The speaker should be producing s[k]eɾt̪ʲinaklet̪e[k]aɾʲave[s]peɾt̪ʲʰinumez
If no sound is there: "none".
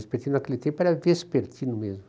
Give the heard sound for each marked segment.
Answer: p, p, s

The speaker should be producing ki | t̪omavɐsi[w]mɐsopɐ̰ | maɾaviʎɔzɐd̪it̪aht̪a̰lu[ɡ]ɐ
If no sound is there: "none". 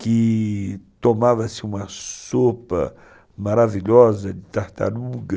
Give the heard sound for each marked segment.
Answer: u, ɡ

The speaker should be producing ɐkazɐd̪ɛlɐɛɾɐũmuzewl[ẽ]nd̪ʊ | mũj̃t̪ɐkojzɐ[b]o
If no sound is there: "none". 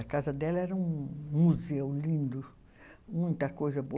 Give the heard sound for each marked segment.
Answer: ĩ, b

